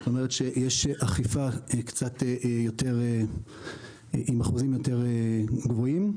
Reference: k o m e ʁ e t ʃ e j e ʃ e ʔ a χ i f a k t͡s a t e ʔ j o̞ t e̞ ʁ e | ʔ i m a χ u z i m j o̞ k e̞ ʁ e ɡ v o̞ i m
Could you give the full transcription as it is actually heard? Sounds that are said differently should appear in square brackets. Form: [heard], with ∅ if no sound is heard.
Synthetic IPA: [t] o m e ʁ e t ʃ e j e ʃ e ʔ a χ i f a k t͡s a t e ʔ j o̞ t e̞ ʁ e | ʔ i m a χ u z i m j o̞ [t] e̞ ʁ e ɡ v o̞ i m